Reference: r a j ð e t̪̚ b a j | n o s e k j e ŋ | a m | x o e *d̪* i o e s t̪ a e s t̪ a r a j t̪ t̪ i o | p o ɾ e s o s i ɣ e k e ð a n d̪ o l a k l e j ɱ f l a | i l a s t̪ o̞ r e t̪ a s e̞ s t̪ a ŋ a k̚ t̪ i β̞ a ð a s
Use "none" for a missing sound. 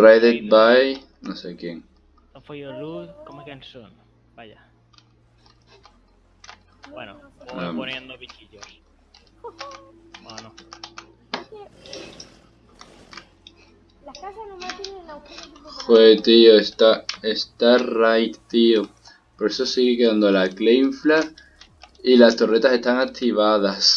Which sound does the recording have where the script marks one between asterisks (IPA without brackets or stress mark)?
t̪